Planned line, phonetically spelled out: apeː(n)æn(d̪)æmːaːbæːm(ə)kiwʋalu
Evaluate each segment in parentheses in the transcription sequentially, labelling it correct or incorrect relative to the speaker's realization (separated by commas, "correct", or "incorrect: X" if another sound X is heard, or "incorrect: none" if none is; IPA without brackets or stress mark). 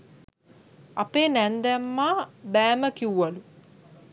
correct, correct, correct